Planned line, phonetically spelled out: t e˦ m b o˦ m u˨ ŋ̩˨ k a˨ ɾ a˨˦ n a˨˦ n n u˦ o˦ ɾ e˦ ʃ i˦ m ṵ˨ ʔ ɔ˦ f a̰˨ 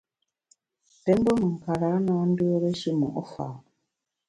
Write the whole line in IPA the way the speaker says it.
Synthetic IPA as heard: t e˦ m b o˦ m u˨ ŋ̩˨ k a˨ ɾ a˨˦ n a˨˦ n d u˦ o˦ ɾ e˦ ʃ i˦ m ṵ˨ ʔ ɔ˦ f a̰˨